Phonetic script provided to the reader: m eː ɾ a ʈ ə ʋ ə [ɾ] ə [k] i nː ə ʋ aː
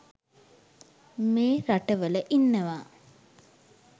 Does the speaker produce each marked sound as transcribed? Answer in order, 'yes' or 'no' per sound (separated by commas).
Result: no, no